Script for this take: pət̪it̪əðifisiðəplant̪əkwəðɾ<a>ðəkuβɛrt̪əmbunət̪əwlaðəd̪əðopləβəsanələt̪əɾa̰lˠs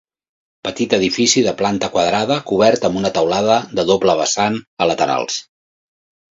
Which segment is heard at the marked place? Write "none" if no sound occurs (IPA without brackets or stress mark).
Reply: a